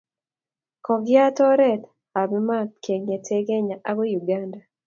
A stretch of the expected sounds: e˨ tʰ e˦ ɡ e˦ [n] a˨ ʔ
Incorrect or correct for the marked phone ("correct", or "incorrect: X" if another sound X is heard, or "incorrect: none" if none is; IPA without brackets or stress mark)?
incorrect: ɲ